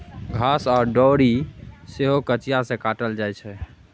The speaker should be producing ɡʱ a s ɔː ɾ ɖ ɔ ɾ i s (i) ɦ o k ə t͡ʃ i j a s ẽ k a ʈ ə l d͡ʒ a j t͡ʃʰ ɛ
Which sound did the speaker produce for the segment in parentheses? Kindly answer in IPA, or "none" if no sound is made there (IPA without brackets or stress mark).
e